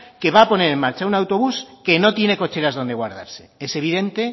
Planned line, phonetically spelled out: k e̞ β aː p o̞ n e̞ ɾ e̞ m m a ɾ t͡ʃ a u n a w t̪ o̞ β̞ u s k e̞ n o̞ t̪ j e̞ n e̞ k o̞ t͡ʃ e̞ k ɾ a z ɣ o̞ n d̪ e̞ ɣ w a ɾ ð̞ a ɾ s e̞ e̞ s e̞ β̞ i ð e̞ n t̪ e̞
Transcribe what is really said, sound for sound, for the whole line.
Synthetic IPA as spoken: k e̞ β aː p o̞ n e̞ ɾ e̞ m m a ɾ t͡ʃ a u n a w t̪ o̞ β̞ u s k e̞ n o̞ t̪ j e̞ n e̞ k o̞ t͡ʃ e̞ ɾ a z ð o̞ n d̪ e̞ ɣ w a ɾ ð̞ a ɾ s e̞ e̞ s e̞ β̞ i ð e̞ n t̪ e̞